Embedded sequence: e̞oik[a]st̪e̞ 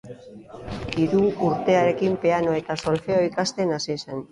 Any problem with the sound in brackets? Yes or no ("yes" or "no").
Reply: no